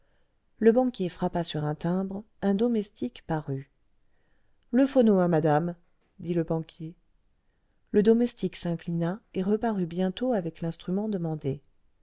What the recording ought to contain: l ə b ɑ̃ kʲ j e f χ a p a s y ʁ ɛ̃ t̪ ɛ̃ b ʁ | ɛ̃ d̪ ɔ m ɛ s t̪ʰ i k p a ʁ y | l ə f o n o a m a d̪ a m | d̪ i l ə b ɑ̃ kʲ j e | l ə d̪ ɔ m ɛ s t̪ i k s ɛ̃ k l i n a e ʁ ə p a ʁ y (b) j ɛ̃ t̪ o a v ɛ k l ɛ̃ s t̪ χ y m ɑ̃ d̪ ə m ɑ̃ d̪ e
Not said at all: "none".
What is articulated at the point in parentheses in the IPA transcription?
b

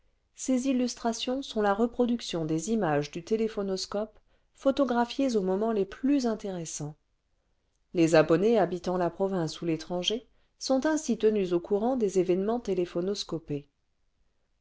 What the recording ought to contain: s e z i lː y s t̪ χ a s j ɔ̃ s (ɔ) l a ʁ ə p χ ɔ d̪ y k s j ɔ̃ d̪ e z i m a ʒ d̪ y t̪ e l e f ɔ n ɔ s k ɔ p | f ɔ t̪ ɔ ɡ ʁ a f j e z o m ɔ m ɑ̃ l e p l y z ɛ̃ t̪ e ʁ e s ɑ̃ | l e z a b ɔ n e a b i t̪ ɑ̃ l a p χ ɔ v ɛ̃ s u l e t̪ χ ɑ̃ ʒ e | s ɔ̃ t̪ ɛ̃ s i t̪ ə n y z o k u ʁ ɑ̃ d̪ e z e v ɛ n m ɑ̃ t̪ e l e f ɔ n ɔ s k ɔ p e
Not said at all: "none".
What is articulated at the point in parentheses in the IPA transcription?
ɔ̃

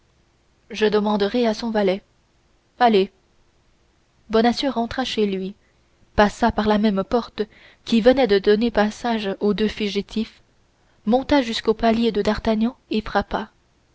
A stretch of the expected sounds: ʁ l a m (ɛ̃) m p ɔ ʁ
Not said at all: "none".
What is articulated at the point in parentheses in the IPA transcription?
ɛ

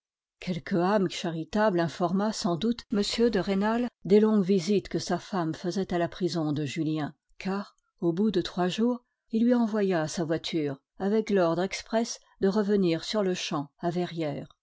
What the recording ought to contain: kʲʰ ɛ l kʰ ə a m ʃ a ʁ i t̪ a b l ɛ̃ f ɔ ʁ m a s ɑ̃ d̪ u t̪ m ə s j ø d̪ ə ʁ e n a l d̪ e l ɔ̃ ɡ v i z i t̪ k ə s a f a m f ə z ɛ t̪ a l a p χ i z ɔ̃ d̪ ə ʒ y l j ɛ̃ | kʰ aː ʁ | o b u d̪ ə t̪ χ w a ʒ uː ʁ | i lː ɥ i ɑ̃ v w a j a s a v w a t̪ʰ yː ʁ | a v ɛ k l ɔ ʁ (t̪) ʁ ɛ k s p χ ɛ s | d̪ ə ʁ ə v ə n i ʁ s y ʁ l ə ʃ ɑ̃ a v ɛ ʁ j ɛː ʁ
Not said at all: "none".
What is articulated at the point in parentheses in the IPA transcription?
d̪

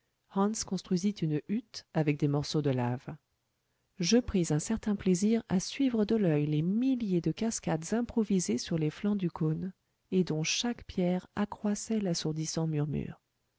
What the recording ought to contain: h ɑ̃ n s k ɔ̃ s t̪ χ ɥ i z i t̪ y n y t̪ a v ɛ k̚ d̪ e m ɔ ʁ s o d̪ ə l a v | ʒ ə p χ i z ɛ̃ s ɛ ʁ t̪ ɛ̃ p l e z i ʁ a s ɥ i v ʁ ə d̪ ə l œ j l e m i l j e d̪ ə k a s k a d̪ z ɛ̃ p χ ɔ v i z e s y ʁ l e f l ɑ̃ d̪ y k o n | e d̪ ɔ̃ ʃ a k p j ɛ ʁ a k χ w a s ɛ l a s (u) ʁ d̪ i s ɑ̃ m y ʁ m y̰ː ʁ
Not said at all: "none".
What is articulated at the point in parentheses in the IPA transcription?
u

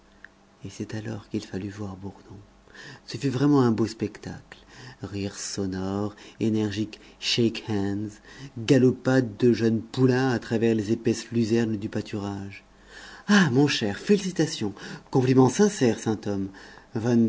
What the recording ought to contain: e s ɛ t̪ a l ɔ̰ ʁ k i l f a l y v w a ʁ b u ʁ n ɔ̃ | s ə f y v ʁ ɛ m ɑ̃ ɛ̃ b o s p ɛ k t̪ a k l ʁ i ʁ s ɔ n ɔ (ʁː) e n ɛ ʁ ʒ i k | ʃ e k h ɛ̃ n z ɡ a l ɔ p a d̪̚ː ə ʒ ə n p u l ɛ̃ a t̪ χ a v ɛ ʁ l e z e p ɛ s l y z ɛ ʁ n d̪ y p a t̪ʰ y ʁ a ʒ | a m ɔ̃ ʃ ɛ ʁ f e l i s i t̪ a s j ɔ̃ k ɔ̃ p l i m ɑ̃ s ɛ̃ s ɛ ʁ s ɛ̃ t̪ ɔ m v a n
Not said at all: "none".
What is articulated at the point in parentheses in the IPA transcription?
ʁ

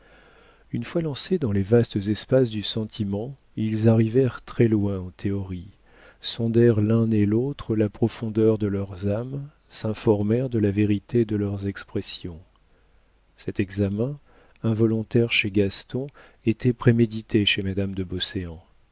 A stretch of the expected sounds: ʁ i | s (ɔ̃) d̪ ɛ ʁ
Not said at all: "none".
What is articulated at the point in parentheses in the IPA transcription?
ɔ̃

